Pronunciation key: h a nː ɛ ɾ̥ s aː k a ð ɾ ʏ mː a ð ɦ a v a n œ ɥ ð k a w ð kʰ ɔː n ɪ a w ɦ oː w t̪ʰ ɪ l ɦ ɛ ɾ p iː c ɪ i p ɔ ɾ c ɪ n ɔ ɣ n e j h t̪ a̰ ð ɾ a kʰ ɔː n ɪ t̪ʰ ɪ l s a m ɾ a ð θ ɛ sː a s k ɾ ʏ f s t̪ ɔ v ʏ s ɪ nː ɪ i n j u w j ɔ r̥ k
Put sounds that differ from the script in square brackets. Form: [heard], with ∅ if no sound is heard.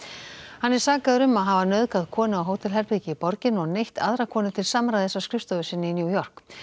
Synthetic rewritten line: h a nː ɛ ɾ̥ s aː k a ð ɾ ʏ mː a ð ɦ a v a n œ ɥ ð k a [∅] ð kʰ ɔː n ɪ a w ɦ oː w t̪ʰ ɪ l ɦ ɛ ɾ p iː c ɪ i p ɔ ɾ c ɪ n ɔ ɣ n e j h t̪ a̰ ð ɾ a kʰ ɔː n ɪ t̪ʰ ɪ l s a m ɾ a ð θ ɛ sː a s k ɾ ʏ f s t̪ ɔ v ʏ s ɪ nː ɪ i n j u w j ɔ r̥ k